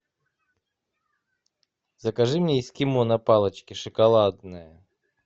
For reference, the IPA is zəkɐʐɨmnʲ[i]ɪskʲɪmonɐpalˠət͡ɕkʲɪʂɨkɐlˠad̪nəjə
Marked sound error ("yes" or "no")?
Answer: yes